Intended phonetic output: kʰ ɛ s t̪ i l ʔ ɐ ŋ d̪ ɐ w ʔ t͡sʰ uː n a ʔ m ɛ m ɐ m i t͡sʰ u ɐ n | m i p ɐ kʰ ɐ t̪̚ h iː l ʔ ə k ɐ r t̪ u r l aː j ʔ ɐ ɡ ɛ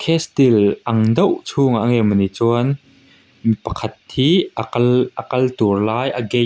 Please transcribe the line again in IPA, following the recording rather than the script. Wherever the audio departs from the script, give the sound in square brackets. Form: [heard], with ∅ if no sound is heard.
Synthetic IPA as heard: kʰ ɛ s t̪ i l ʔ ɐ ŋ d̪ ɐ w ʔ t͡sʰ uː [ŋ] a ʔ [ŋ] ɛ m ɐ [n] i [t͡s] u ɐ n | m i p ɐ kʰ ɐ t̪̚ h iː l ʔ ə k ɐ [l] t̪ u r l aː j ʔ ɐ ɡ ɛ